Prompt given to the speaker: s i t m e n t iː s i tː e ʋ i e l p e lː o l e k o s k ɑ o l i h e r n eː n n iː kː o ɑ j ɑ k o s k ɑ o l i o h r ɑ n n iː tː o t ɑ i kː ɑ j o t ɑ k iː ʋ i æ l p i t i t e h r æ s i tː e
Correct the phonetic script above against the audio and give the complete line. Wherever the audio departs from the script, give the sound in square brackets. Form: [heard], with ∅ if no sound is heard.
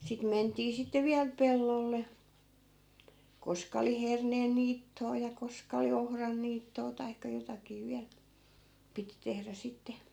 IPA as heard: s i t m e n t iː s i tː e ʋ i [æ] l p e lː o [lː] e k o s k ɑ o l i h e r n eː n n iː [tː] o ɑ j ɑ k o s k ɑ o l i o h r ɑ n n iː tː [oː] t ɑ i kː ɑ j o t ɑ k iː ʋ i æ l p i t i t e h r æ s i tː e